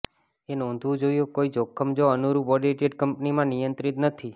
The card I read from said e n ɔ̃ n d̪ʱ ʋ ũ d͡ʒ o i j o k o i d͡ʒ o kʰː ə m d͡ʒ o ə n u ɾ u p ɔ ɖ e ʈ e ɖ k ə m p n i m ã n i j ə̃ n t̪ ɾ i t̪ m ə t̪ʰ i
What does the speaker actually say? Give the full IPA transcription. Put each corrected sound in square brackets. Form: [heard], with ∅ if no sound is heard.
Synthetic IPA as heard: e n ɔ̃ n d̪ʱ ʋ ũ d͡ʒ o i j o k o i d͡ʒ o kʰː ə m d͡ʒ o ə n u ɾ u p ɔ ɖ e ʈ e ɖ k ə m p n i m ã n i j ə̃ n t̪ ɾ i t̪ [n] ə t̪ʰ i

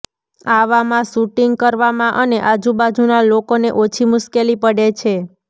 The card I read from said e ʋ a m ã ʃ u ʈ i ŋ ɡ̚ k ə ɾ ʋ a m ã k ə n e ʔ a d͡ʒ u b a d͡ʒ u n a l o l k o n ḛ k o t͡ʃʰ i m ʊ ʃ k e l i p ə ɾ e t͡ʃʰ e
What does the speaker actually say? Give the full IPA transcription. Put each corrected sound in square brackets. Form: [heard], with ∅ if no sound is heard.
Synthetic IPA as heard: [a] ʋ a m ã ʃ u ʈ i ŋ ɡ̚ k ə ɾ ʋ a m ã [ʔ] ə n e ʔ a d͡ʒ u b a d͡ʒ u n a l o [∅] k o n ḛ [ʔ] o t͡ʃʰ i m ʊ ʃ k e l i p ə [ɽ] e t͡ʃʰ e

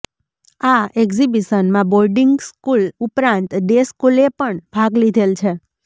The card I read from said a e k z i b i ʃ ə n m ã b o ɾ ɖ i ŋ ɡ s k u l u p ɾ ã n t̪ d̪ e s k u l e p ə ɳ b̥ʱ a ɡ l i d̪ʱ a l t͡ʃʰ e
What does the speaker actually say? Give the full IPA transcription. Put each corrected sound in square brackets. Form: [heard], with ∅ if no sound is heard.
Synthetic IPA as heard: a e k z i b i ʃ ə n m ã b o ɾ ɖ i ŋ ɡ s k u l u p ɾ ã n t̪ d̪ e s k u l e p ə ɳ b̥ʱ a ɡ l i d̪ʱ [e] l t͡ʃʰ e

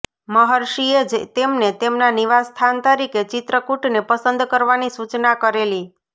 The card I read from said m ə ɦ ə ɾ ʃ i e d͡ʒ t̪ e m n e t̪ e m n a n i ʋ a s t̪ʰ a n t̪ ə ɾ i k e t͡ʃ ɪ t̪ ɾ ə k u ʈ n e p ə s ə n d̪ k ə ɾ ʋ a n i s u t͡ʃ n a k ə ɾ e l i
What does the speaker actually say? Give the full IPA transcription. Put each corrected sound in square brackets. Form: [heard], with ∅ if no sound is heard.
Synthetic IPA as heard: m ə ɦ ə ɾ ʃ i e d͡ʒ t̪ e m n e t̪ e m n a n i ʋ a s t̪ʰ a n t̪ ə ɾ i k e t͡ʃ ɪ t̪ ɾ ə k u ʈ n e p ə s ə n d̪ k ə ɾ ʋ a n i s u t͡ʃ n a k ə ɾ e l i

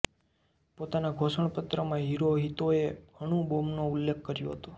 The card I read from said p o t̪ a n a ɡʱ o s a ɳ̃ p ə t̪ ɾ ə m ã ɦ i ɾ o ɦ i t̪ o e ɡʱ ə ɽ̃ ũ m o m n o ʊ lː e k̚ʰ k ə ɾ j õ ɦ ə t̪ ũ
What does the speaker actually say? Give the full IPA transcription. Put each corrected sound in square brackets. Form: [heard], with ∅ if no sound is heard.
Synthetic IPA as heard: p o t̪ a n a ɡʱ o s [ə] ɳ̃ p ə t̪ ɾ ə m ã ɦ i ɾ o ɦ i t̪ o e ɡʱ ə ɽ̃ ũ [b] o m n o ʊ lː e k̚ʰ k ə ɾ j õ ɦ ə t̪ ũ

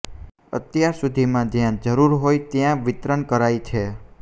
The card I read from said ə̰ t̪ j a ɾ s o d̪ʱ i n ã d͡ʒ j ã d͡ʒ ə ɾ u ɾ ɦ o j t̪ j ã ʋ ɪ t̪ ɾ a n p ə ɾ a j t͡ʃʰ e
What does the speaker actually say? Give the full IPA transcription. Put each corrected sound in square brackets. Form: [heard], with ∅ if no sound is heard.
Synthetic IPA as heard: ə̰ t̪ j a ɾ s [u] d̪ʱ i [m] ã d͡ʒ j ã d͡ʒ ə ɾ u ɾ ɦ o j t̪ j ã ʋ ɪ t̪ ɾ [ə] n [k] ə ɾ a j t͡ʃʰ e

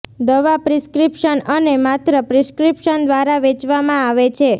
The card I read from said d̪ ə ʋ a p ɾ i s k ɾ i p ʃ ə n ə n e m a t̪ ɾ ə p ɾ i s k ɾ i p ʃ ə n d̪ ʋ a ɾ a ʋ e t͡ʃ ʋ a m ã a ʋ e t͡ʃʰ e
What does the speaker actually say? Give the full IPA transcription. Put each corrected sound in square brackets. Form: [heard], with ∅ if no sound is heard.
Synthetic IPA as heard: d̪ ə ʋ a p ɾ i s k ɾ i p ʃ ə n ə n e m a t̪ ɾ ə p ɾ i s k ɾ i p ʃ ə n d̪ ʋ a ɾ a ʋ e t͡ʃ ʋ a m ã a ʋ e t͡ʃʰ e

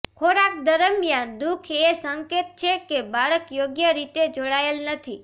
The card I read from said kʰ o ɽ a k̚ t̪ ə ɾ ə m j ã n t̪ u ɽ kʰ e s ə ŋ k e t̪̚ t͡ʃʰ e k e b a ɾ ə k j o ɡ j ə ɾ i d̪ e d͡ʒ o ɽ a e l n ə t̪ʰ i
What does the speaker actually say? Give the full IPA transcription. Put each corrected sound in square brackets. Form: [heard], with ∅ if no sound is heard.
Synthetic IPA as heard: kʰ o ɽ a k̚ [d̪] ə ɾ ə m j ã n [d̪] u [∅] kʰ e s ə ŋ k e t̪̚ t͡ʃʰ e k e b a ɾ ə k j o ɡ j ə ɾ i [t̪] e d͡ʒ o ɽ a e l n ə t̪ʰ i

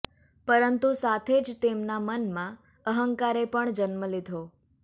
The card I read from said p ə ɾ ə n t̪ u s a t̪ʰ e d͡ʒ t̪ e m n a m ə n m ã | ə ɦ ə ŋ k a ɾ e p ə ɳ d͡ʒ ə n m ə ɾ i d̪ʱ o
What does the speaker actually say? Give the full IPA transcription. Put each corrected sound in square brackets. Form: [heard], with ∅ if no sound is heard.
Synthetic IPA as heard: p ə ɾ ə n t̪ u s a t̪ʰ e d͡ʒ t̪ e m n a m ə n m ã | ə ɦ ə ŋ k a ɾ e p ə ɳ d͡ʒ ə n m ə [l] i d̪ʱ o

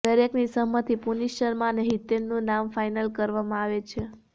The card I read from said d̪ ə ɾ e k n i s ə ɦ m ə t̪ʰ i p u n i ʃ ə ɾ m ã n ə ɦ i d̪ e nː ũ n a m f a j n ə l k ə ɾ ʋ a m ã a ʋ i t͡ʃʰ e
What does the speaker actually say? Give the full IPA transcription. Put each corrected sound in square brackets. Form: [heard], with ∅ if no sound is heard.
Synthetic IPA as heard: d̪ ə ɾ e k n i s ə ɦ m ə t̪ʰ i p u n i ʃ ə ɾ m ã n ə ɦ i [t̪] e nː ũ n a m f a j n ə l k ə ɾ ʋ a m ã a ʋ [e] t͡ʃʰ e

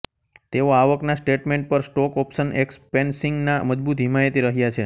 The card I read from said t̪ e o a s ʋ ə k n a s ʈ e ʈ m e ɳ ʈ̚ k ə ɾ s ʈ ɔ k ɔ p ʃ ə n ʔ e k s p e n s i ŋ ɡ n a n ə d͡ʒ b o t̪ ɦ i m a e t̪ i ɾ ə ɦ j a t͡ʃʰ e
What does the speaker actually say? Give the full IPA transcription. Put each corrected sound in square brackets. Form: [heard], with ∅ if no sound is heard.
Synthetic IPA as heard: t̪ e o a [∅] ʋ ə k n a s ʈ e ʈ m e ɳ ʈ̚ [p] ə ɾ s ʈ ɔ k ɔ p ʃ ə n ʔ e k s p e n s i ŋ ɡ n a [m] ə d͡ʒ b [u] t̪ ɦ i m a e t̪ i ɾ ə ɦ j a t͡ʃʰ e

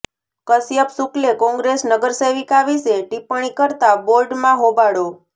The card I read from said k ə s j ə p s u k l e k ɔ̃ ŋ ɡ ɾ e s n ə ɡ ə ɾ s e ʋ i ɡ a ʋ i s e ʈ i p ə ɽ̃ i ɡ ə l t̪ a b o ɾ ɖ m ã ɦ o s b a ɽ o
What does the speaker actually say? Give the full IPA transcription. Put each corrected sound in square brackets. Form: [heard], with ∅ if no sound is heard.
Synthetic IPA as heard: k ə s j ə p s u k l e k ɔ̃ ŋ ɡ ɾ e s n ə ɡ ə ɾ s e ʋ i [k] a ʋ i s e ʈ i p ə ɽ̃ i [k] ə [ɾ] t̪ a b o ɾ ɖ m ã ɦ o [∅] b a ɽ o

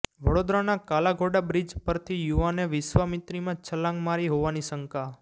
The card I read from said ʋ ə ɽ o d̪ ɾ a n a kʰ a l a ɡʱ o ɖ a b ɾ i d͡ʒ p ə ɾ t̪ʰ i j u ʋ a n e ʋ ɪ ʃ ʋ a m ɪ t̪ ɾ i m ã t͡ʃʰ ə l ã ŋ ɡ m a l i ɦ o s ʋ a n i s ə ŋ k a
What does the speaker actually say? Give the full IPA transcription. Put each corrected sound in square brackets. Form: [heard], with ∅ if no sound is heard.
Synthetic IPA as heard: ʋ ə ɽ o d̪ ɾ a n a [k] a l a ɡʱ o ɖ a b ɾ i d͡ʒ p ə ɾ t̪ʰ i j u ʋ a n e ʋ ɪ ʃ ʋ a m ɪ t̪ ɾ i m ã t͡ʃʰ ə l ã ŋ ɡ m a [ɾ] i ɦ o [∅] ʋ a n i s ə ŋ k a

